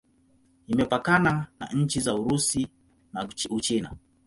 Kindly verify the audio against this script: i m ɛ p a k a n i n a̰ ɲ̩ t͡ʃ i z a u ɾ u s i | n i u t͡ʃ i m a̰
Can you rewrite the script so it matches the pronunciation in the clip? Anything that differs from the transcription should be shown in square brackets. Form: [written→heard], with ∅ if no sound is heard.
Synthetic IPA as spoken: i m ɛ p a k a n [i→a] n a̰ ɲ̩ t͡ʃ i z a u ɾ u s i | n [i→a] u t͡ʃ i [m→n] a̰